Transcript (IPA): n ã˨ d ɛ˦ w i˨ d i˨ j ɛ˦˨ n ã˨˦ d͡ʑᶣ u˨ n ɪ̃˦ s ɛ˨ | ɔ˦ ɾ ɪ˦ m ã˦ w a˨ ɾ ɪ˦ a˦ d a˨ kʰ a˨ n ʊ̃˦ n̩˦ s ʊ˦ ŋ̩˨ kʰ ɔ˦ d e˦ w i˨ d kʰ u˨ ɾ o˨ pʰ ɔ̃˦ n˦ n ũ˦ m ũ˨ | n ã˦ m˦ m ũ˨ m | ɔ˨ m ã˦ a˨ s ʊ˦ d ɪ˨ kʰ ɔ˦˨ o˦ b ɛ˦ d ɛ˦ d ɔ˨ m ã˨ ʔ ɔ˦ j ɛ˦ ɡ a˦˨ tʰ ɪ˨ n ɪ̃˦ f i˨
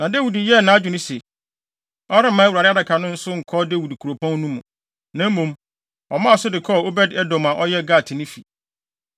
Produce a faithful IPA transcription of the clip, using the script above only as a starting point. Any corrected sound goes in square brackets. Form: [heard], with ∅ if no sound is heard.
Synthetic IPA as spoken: n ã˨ d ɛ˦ w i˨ d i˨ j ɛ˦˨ n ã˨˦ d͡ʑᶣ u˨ n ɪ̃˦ s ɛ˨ | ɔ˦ ɾ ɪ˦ m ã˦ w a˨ ɾ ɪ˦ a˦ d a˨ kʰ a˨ n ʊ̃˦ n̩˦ s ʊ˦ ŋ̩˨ kʰ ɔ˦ d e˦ w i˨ d kʰ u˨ ɾ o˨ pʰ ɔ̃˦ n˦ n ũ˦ m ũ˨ | n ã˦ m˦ m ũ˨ m | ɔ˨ m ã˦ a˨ s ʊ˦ d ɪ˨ kʰ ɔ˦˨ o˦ b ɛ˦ d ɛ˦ d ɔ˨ m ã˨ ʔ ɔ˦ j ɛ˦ ɡ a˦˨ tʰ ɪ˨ n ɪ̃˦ f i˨